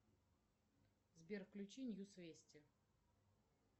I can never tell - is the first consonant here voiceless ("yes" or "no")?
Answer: no